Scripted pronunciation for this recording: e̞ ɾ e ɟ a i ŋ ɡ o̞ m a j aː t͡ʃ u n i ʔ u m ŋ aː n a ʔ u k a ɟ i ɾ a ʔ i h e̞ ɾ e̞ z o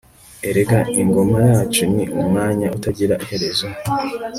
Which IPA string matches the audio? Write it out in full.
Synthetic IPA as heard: e̞ ɾ e ɡ a i ŋ ɡ o̞ m a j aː t͡ʃ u n i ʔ u m ŋ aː ɲ a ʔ u t a ɟ i ɾ a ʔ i h e̞ ɾ e̞ z o